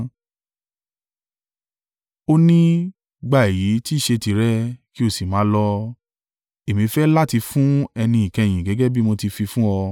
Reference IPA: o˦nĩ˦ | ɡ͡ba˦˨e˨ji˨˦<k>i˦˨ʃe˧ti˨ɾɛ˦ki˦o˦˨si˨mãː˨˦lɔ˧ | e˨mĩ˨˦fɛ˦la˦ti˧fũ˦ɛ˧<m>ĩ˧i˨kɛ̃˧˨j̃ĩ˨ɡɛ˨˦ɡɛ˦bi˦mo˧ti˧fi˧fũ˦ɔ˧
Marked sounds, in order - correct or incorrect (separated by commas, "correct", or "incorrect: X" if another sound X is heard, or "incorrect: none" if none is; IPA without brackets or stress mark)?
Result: incorrect: t, incorrect: n